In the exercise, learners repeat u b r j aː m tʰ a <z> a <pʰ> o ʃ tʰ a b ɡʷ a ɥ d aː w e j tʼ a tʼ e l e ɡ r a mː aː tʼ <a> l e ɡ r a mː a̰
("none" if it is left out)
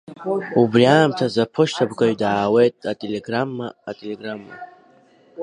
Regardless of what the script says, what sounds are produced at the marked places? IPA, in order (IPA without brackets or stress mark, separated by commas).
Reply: z, pʰ, e